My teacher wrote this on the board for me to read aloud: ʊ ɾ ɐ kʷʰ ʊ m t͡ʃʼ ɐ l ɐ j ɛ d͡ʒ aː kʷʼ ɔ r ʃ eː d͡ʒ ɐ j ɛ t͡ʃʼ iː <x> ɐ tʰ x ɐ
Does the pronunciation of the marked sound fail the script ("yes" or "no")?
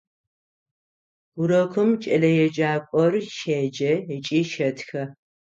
yes